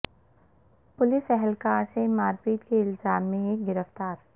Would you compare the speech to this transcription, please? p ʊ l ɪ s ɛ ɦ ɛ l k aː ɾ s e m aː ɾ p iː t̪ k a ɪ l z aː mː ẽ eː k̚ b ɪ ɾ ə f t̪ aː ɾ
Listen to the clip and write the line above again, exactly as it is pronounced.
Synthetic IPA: p ʊ l ɪ s ɛ ɦ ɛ l k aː ɾ s e m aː ɾ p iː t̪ k e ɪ l z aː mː ẽ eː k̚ ɡ ɪ ɾ ə f t̪ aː ɾ